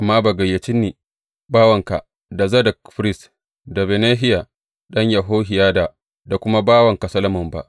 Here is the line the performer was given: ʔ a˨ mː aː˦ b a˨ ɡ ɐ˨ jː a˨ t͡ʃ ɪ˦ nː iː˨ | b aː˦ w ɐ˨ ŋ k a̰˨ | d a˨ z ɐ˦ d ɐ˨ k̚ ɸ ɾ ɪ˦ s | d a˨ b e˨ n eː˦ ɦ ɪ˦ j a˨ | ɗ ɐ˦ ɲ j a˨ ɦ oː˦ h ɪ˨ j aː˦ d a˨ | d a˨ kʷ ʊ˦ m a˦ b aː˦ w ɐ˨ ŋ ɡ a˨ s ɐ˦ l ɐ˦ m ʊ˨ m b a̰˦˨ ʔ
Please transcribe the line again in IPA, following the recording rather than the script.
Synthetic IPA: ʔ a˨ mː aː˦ b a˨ ɡ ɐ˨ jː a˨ t͡ʃ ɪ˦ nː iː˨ | b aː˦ w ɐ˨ ŋ k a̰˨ | d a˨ z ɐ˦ d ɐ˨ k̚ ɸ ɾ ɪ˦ s | d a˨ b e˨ n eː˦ ɦ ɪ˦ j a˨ | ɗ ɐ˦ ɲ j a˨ ɦ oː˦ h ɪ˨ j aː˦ d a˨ | d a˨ kʷ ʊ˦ m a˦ b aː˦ w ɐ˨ ŋ k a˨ s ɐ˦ l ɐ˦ m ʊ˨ m b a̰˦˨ ʔ